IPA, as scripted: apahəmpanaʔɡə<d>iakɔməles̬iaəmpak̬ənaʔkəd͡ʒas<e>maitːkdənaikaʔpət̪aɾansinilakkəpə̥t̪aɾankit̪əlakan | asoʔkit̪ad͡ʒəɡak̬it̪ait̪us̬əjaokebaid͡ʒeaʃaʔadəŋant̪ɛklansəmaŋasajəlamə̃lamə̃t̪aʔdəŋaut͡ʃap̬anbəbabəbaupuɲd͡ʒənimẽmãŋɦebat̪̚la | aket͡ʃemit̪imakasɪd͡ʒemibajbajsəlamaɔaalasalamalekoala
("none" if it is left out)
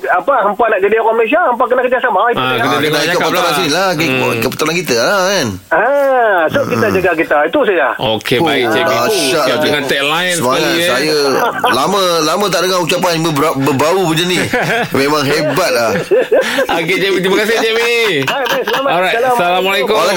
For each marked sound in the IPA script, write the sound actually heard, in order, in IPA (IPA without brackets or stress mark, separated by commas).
d, a